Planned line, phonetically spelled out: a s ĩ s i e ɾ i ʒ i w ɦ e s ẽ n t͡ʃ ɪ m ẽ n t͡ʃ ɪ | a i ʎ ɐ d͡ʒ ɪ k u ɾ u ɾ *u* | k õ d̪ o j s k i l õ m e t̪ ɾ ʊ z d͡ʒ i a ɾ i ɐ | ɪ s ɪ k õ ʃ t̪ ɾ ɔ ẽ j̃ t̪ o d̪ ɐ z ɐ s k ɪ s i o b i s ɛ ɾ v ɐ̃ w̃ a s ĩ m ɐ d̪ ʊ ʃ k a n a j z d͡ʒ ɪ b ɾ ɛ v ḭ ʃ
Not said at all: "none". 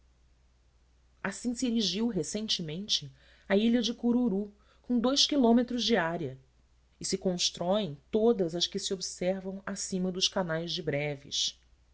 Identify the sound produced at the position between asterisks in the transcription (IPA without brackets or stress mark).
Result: u